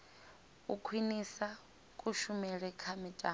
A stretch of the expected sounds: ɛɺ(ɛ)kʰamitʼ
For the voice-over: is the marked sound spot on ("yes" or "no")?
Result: yes